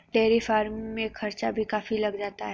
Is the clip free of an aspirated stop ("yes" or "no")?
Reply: yes